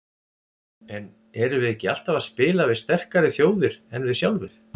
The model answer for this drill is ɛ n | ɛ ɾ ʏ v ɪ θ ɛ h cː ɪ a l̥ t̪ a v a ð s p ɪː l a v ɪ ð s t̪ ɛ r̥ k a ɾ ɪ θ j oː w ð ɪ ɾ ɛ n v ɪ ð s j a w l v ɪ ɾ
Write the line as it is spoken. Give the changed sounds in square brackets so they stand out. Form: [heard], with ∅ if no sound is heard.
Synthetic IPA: ɛ n | ɛ ɾ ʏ v ɪ [ð] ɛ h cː ɪ a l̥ t̪ a v a ð s p ɪː l a v ɪ ð s t̪ ɛ r̥ k a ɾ ɪ θ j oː w ð ɪ ɾ ɛ n v ɪ ð s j a w l v ɪ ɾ

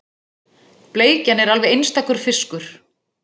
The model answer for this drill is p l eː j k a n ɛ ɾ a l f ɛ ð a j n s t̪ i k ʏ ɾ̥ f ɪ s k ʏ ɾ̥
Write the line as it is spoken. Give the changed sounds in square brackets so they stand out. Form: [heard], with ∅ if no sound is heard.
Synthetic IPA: p l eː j [c] a n ɛ ɾ a l [v] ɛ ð [e] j n s t̪ [a] k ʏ ɾ̥ f ɪ s k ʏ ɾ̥

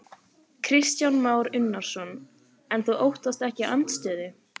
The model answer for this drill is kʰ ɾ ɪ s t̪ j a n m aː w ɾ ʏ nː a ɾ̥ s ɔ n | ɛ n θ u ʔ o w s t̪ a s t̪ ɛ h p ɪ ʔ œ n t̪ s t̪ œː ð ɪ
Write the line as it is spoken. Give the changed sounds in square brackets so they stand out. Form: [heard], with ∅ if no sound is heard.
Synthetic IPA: kʰ ɾ ɪ s t̪ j a n m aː w ɾ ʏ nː a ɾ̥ s ɔ n | ɛ n θ u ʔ o w [h] t̪ a s t̪ ɛ h [c] ɪ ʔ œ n t̪ s t̪ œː ð ɪ

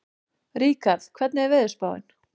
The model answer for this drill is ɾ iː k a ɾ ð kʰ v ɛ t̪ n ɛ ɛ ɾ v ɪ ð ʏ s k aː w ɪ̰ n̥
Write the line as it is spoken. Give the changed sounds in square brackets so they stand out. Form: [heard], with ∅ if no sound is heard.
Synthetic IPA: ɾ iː k a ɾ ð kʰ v ɛ t̪ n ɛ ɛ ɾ v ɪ ð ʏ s [p] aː w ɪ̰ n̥

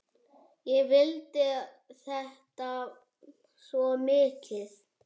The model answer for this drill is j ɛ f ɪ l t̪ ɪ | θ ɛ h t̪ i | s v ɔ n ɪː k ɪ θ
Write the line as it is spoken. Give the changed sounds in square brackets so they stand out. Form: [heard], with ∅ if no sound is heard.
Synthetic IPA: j ɛ [v] ɪ l t̪ ɪ | θ ɛ h t̪ [a] | s v ɔ [m] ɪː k ɪ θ

